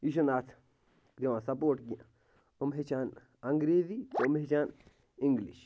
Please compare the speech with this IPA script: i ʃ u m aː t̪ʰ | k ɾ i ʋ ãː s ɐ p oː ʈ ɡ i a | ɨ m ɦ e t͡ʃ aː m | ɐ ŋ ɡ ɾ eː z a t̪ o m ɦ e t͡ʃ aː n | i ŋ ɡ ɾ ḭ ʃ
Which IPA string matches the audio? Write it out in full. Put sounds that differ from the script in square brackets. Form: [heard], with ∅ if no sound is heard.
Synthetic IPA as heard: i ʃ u [n] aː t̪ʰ | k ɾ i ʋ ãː s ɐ p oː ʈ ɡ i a | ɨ m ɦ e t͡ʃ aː [n] | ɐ ŋ ɡ ɾ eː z [i] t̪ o m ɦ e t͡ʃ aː n | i ŋ ɡ [l] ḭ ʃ